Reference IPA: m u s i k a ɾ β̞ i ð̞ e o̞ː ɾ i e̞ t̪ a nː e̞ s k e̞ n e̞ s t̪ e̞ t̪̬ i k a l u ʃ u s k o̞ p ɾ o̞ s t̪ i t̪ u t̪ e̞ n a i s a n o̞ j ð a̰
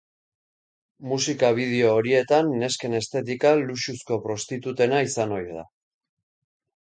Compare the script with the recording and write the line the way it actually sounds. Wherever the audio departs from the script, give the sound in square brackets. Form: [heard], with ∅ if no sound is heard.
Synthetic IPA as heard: m u s i k a [∅] β̞ i ð̞ e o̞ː ɾ i e̞ t̪ a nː e̞ s k e̞ n e̞ s t̪ e̞ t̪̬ i k a l u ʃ u s k o̞ p ɾ o̞ s t̪ i t̪ u t̪ e̞ n a i s a n o̞ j ð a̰